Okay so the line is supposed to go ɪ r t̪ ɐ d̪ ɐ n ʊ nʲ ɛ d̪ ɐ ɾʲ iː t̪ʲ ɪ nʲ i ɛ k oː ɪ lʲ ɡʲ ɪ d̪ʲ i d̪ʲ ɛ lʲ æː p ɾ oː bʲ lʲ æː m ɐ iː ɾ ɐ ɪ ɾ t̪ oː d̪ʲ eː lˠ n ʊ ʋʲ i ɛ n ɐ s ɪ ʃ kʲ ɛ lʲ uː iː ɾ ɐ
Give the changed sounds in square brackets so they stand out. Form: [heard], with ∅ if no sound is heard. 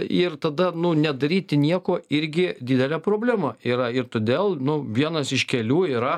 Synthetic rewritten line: ɪ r t̪ ɐ d̪ ɐ n ʊ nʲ ɛ d̪ ɐ ɾʲ iː t̪ʲ ɪ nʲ i ɛ k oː ɪ [ɾʲ] ɡʲ ɪ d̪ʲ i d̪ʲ ɛ lʲ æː p ɾ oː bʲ lʲ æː m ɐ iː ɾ ɐ ɪ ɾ t̪ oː d̪ʲ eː lˠ n ʊ ʋʲ i ɛ n ɐ s ɪ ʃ kʲ ɛ lʲ uː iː ɾ ɐ